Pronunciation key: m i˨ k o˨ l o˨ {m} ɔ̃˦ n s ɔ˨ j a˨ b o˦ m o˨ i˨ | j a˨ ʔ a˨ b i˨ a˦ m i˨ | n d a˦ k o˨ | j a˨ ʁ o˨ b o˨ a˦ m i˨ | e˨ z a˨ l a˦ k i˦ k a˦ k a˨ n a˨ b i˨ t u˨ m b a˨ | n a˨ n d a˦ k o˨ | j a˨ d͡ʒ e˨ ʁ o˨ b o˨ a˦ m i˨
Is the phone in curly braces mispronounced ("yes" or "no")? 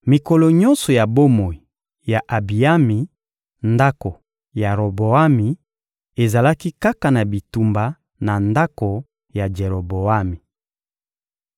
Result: yes